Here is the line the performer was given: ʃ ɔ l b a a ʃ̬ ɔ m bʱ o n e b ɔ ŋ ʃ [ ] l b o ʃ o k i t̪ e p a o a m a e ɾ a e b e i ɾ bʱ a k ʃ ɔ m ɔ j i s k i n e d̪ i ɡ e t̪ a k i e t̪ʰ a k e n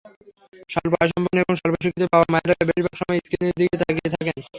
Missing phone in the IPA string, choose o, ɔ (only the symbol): ɔ